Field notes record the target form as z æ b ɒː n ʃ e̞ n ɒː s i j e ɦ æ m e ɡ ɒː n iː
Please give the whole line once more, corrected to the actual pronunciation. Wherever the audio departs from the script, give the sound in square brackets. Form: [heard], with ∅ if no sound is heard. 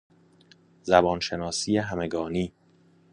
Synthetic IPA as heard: z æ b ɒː n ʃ e̞ n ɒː s i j e ɦ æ m e ɡ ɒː n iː